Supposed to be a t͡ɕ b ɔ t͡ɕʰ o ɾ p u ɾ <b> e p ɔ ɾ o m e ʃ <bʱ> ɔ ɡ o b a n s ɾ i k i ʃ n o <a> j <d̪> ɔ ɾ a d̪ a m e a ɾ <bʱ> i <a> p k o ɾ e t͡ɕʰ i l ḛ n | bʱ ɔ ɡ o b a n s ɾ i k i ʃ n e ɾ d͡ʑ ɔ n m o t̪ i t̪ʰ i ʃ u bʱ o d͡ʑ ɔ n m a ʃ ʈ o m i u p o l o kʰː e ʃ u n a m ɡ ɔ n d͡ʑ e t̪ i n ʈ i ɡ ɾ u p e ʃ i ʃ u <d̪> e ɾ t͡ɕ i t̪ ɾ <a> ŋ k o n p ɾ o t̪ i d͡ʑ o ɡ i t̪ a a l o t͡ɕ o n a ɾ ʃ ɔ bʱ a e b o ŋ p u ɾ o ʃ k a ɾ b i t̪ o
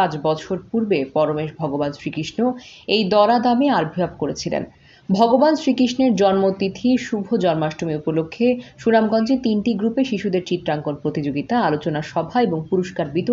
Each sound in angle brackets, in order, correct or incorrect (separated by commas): correct, correct, incorrect, correct, correct, correct, correct, correct